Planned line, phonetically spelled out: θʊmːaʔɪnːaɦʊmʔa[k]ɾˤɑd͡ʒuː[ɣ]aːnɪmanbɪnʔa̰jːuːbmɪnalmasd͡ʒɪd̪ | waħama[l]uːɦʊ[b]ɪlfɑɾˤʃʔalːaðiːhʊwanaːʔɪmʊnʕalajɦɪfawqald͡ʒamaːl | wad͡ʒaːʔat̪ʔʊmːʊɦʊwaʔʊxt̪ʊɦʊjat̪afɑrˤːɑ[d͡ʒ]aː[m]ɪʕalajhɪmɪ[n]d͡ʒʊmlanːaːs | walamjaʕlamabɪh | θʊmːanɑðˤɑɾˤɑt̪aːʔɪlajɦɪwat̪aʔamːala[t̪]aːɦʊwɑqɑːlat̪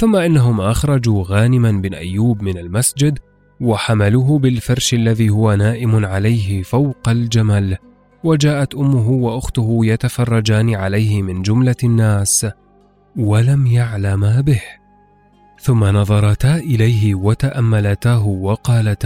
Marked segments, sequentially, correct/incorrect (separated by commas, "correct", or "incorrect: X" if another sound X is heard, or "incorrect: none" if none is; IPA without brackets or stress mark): incorrect: x, correct, correct, correct, correct, incorrect: n, correct, correct